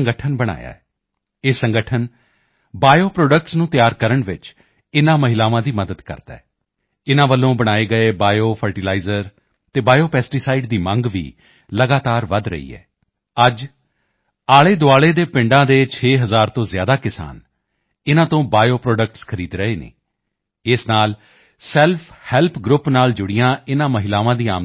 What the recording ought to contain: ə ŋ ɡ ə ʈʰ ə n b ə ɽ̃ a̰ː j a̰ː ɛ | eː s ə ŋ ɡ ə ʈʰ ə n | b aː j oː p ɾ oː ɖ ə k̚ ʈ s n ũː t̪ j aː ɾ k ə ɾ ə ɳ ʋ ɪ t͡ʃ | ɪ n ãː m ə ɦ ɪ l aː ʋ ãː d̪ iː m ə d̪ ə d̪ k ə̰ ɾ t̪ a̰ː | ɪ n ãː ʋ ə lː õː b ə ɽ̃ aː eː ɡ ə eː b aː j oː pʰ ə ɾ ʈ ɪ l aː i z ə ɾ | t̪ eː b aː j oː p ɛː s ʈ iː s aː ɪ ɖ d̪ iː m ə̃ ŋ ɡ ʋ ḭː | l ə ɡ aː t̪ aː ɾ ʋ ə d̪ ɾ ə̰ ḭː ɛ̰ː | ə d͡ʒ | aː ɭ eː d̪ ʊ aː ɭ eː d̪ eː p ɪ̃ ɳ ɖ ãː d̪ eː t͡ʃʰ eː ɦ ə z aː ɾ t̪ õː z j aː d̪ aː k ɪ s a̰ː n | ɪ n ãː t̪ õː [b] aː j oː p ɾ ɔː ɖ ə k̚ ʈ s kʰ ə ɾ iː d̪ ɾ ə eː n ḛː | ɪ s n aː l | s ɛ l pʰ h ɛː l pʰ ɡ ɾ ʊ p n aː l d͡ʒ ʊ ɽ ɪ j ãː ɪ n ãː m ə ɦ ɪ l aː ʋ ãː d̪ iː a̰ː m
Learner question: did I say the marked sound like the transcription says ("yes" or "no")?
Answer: yes